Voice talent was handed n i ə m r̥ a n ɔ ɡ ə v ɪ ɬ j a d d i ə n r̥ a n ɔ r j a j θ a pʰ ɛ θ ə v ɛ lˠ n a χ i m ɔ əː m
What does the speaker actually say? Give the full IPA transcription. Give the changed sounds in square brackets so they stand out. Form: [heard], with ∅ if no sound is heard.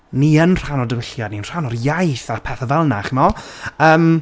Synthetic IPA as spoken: n i ə [n] r̥ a n ɔ [d] ə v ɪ ɬ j a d [n] i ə n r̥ a n ɔ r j a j θ a pʰ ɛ θ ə v ɛ lˠ n a χ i m ɔ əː m